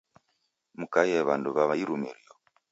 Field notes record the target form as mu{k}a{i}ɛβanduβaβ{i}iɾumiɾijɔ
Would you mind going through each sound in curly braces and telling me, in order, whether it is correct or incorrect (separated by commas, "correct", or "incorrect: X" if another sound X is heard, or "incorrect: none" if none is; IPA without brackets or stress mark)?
correct, incorrect: j, incorrect: a